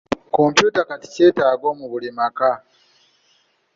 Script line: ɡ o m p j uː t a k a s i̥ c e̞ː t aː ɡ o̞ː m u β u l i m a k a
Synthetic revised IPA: k o m p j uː t a k a t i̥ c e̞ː t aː ɡ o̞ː m u β u l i m a k a